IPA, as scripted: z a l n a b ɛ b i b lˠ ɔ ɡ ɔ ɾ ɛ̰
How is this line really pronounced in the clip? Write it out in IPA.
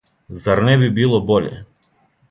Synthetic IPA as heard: z a ɾ n ɛ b i b i lˠ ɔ b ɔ ʎ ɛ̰